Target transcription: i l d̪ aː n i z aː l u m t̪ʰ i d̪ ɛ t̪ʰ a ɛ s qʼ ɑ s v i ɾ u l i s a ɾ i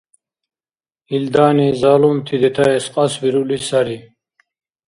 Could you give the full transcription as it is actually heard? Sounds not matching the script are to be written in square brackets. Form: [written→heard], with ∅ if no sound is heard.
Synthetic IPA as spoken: i l d̪ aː n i z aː l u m t̪ʰ i d̪ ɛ t̪ʰ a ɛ s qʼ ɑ s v i ɾ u l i s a ɾ i